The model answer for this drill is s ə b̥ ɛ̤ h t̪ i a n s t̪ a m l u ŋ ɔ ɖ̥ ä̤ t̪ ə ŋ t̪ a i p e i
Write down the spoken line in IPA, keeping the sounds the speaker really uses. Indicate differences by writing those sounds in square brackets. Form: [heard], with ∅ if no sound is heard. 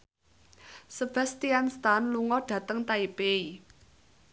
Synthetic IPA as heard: s ə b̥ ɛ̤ [s] t̪ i a n s t̪ a [n] l u ŋ ɔ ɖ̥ ä̤ t̪ ə ŋ t̪ a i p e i